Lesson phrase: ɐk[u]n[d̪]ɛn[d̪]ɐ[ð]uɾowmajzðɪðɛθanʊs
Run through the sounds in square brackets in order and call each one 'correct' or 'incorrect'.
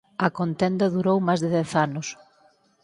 incorrect: o, incorrect: t̪, correct, correct

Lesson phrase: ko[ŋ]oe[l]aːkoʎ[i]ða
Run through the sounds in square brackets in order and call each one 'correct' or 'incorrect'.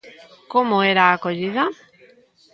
incorrect: m, incorrect: ɾ, correct

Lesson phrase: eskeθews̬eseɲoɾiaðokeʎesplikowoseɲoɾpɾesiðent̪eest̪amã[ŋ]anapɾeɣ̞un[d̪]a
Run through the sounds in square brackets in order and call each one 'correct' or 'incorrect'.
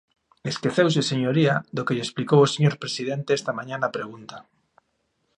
incorrect: ɲ, incorrect: t̪

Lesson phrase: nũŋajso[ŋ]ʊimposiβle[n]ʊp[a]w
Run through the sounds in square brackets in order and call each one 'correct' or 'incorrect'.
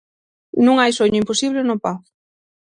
incorrect: ɲ, correct, correct

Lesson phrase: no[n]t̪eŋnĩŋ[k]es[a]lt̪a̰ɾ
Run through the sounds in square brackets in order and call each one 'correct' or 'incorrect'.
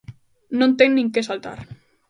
correct, correct, correct

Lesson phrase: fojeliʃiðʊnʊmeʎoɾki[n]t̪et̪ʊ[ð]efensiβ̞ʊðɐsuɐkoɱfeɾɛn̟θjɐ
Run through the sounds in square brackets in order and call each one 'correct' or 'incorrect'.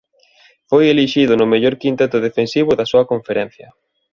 correct, correct

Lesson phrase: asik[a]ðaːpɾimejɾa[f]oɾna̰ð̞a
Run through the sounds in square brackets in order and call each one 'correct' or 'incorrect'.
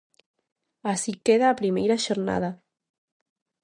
incorrect: e, incorrect: ʃ

